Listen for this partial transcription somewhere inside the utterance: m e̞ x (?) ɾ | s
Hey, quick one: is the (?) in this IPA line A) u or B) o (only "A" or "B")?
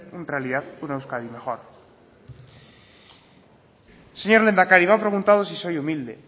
B